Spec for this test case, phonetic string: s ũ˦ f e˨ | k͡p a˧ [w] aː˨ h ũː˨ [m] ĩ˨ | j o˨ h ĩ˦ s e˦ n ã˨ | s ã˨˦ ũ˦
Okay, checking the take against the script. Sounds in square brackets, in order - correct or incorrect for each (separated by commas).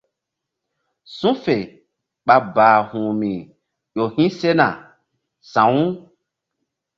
incorrect, correct